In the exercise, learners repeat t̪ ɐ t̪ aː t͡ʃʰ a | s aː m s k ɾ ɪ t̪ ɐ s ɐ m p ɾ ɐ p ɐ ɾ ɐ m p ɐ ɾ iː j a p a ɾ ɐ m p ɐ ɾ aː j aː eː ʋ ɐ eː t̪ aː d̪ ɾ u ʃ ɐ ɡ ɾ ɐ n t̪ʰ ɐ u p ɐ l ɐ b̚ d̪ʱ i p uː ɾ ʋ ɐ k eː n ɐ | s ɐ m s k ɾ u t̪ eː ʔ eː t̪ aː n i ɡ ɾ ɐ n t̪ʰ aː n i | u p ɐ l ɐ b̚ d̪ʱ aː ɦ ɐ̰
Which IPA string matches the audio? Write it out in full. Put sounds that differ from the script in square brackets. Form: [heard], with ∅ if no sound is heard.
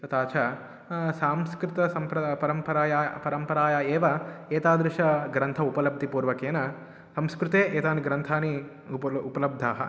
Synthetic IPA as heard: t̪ ɐ t̪ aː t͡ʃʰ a | s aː m s k ɾ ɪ t̪ ɐ s ɐ m p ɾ ɐ p ɐ ɾ ɐ m p ɐ ɾ [aː] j a p [ɐ] ɾ ɐ m p ɐ ɾ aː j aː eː ʋ ɐ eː t̪ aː d̪ ɾ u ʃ ɐ ɡ ɾ ɐ n t̪ʰ ɐ u p ɐ l ɐ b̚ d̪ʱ i p uː ɾ ʋ ɐ k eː n ɐ | s ɐ m s k ɾ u t̪ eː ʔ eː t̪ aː n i ɡ ɾ ɐ n t̪ʰ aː n i | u p ɐ l ɐ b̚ d̪ʱ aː ɦ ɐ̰